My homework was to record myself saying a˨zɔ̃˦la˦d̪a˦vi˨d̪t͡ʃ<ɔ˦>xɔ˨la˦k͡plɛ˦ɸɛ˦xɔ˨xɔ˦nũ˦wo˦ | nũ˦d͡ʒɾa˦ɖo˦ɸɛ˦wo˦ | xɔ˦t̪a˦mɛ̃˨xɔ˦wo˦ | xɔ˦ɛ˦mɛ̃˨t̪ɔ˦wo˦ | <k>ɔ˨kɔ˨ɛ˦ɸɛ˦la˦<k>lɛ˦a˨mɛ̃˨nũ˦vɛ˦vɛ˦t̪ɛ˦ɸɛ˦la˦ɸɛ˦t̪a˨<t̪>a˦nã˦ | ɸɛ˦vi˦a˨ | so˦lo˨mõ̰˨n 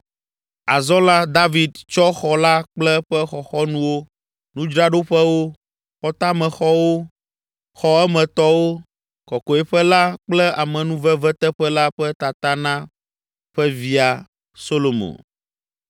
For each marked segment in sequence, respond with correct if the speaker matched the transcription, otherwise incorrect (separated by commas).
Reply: correct, correct, incorrect, correct